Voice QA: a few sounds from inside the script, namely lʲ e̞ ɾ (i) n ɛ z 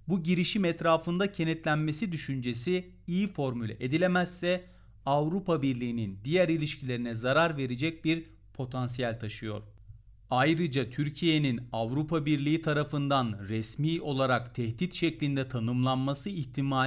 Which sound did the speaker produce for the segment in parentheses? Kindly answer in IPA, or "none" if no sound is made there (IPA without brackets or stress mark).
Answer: i